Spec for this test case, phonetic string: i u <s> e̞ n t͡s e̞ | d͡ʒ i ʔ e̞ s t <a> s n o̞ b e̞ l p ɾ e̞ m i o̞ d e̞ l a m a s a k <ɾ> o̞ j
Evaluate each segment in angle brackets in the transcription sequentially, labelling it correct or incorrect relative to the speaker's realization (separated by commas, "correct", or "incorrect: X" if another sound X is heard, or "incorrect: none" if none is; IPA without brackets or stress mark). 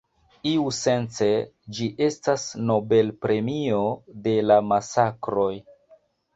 correct, correct, correct